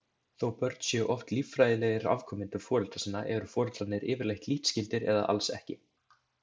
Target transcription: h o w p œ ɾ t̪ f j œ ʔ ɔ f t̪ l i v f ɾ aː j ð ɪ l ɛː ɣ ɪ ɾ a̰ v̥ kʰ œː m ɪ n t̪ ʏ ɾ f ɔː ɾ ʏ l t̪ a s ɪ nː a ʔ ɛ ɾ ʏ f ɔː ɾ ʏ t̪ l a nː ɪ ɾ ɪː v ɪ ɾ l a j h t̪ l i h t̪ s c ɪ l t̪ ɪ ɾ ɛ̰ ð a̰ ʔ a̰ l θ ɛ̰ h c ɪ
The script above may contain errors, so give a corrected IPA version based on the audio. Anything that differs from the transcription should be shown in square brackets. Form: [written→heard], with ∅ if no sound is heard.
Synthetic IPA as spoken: [h→θ] o w p œ ɾ t̪ [f→s] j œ ʔ ɔ f t̪ l i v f ɾ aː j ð ɪ l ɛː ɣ ɪ ɾ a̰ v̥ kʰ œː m ɪ n t̪ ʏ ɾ f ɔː ɾ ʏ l t̪ a s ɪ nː a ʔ ɛ ɾ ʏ f ɔː ɾ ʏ t̪ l a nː ɪ ɾ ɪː v ɪ ɾ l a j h t̪ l i h t̪ s c ɪ l t̪ ɪ ɾ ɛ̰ ð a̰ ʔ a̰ l [θ→s] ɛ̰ h c ɪ

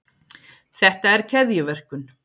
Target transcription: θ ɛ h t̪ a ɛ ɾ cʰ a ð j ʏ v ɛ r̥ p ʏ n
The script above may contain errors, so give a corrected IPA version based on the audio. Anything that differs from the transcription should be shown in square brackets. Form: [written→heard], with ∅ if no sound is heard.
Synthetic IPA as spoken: θ ɛ h t̪ a ɛ ɾ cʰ [a→ɛ] ð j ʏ v ɛ r̥ [p→k] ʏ n

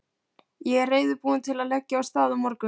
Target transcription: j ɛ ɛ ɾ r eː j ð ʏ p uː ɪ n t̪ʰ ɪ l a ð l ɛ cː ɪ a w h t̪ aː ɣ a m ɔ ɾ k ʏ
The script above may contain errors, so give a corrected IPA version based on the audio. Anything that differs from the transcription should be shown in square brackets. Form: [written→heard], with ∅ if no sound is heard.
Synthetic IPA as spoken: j ɛ ɛ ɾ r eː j ð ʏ p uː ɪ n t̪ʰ ɪ l a ð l ɛ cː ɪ a w [h→s] t̪ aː [ɣ→ð] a m ɔ ɾ k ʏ

